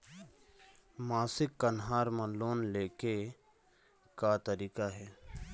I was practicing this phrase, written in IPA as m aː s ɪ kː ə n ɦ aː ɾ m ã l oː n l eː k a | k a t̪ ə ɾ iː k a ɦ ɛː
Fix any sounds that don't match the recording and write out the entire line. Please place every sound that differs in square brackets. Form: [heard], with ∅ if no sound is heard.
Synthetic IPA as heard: m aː s ɪ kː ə n ɦ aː ɾ m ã l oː n l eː k [e] | k a t̪ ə ɾ iː k a ɦ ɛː